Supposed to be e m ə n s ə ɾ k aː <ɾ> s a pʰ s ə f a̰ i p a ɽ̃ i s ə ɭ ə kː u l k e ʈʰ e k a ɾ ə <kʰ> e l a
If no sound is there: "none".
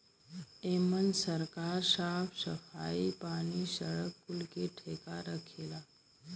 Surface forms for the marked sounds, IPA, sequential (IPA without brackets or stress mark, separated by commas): ɾ, kʰ